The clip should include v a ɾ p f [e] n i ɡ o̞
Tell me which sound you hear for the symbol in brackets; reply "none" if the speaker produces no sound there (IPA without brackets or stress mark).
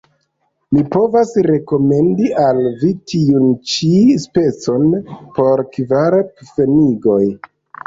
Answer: e